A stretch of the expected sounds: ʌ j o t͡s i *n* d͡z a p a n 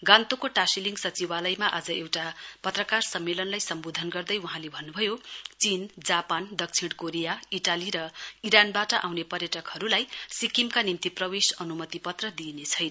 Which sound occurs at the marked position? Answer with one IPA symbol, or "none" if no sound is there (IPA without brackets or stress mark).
n